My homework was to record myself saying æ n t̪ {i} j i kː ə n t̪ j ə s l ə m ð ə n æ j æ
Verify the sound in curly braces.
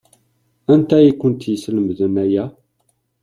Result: incorrect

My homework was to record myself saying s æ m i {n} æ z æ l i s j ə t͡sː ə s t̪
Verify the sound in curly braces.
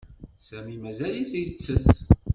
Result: incorrect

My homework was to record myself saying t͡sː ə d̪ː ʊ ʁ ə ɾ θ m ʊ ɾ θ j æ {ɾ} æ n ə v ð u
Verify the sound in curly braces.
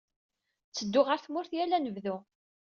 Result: incorrect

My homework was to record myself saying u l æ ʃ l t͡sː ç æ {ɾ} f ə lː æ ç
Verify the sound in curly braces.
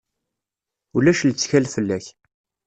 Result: incorrect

